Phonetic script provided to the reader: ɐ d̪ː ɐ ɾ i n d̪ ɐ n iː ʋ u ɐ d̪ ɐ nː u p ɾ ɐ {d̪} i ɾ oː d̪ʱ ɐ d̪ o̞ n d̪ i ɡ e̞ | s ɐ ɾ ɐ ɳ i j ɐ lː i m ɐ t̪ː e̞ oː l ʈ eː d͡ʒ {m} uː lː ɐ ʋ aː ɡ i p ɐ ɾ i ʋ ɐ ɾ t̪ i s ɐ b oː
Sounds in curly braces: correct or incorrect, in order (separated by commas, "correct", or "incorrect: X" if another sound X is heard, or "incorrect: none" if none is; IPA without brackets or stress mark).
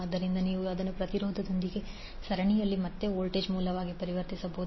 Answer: incorrect: t̪, correct